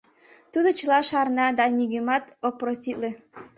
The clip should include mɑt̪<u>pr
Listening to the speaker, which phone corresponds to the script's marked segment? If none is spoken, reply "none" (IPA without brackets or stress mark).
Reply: o